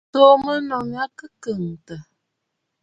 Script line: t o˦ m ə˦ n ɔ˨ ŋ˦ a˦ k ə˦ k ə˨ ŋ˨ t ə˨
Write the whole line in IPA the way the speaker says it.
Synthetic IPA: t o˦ m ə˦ n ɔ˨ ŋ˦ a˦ k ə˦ k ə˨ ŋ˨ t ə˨